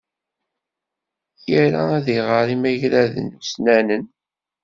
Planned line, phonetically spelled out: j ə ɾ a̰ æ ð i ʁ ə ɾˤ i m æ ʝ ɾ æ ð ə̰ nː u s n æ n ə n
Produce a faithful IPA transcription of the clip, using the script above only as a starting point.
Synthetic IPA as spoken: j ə ɾ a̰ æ ð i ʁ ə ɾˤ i m æ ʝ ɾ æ ð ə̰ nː u s n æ n ə n

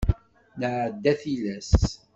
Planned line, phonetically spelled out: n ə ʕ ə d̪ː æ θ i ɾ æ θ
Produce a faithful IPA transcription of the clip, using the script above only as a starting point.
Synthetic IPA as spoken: n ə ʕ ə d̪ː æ θ i l æ s

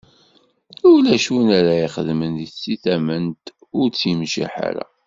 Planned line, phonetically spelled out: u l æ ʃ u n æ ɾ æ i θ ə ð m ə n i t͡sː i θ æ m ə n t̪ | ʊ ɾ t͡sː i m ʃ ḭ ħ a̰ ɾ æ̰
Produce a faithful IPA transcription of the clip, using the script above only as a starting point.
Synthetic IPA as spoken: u l æ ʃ u n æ ɾ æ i χ ə ð m ə n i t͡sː i θ æ m ə n t̪ | ʊ ɾ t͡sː i m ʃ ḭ ħ a̰ ɾ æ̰

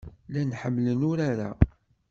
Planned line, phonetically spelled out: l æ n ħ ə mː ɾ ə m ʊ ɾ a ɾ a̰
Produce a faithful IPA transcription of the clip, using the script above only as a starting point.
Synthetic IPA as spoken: l æ n ħ ə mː l ə n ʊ ɾ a ɾ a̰

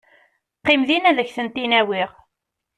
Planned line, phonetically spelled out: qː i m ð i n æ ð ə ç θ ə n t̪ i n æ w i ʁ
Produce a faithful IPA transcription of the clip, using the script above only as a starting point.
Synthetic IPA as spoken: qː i m ð i n æ ð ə ç θ ə n t̪ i n æ w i ʁ

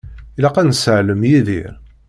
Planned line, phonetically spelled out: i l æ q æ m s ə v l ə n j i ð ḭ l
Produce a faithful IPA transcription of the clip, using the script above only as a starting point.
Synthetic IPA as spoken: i l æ q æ n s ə ʕ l ə m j i ð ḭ ɾ

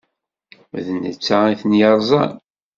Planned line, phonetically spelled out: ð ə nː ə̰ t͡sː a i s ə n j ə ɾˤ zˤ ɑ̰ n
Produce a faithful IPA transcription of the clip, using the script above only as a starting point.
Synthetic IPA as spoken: ð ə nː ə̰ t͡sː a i θ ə n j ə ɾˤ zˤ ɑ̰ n

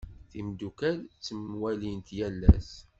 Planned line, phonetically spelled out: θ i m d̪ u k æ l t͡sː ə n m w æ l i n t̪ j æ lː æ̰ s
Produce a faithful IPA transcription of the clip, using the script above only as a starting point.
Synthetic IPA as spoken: θ i m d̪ u k æ l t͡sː ə m w æ l i n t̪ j æ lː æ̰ s

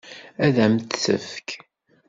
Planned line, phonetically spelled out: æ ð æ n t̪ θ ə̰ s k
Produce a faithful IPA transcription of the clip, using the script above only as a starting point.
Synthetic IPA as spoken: æ ð æ m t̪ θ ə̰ f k

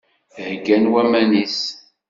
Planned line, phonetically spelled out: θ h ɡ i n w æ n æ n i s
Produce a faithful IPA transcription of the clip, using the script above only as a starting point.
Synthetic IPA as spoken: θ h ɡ æ n w æ m æ n i s

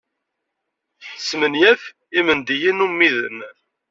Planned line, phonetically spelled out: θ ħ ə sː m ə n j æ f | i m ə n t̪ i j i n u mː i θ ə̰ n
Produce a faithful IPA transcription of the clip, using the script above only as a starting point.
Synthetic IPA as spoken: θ ħ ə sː m ə n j æ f | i m ə n d̪ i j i n u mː i ð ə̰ n

